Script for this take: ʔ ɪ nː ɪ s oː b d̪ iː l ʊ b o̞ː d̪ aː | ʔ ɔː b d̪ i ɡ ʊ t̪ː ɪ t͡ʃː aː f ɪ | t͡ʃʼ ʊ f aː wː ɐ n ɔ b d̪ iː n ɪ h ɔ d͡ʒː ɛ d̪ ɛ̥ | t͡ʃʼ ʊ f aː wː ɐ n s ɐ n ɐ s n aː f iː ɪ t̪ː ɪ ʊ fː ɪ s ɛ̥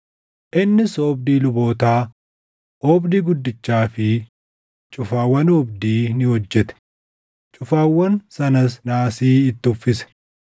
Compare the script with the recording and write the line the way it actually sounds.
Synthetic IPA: ʔ ɪ nː ɪ s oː b d̪ iː l ʊ b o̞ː t̪ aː | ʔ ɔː b d̪ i ɡ ʊ d̪ː ɪ t͡ʃː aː f ɪ | t͡ʃʼ ʊ f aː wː ɐ n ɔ b d̪ iː n ɪ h ɔ d͡ʒː ɛ t̪ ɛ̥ | t͡ʃʼ ʊ f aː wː ɐ n s ɐ n ɐ s n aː s iː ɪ t̪ː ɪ ʊ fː ɪ s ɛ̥